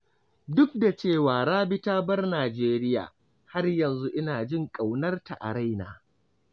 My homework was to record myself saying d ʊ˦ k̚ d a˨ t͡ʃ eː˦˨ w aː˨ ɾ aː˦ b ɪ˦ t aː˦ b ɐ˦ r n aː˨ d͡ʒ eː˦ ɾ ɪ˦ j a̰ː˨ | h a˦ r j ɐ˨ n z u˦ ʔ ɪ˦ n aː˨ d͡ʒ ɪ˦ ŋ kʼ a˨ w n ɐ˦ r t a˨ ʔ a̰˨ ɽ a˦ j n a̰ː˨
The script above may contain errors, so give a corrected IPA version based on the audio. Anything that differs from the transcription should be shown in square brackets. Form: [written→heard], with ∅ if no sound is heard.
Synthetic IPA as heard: d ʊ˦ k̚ d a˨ t͡ʃ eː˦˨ w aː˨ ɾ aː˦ b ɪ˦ t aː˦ b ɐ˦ r n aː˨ d͡ʒ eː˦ ɾ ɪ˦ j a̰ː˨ | h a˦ r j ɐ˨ n z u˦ ʔ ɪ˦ n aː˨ d͡ʒ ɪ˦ ŋ kʼ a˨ w n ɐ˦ r t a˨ ʔ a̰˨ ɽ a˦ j n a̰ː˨